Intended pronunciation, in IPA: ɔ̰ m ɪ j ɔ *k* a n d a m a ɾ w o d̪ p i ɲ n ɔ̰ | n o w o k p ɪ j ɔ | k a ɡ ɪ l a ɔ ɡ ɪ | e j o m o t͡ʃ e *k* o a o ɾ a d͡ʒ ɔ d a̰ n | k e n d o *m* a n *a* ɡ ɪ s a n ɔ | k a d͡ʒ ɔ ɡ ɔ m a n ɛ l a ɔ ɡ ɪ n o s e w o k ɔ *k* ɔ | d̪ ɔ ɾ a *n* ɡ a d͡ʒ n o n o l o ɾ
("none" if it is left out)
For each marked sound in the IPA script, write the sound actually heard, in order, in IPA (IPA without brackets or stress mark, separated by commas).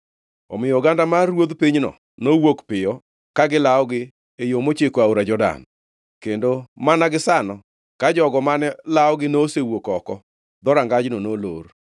ɡ, k, m, a, k, ŋ